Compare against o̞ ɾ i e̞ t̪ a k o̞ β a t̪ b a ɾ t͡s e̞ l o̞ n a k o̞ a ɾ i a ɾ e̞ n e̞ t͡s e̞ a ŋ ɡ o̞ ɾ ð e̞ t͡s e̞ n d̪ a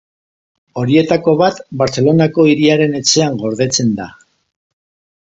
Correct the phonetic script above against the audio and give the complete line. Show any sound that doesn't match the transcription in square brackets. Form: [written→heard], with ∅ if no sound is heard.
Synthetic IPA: o̞ ɾ i e̞ t̪ a k o̞ β a t̪ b a ɾ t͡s e̞ l o̞ n a k o̞ [a→i] ɾ i a ɾ e̞ n e̞ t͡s e̞ a ŋ ɡ o̞ ɾ ð e̞ t͡s e̞ n d̪ a